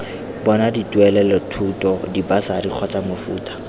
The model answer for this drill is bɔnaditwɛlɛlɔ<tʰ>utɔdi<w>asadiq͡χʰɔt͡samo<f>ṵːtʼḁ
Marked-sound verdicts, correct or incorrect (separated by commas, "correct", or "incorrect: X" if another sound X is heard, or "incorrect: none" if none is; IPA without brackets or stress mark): correct, incorrect: b, correct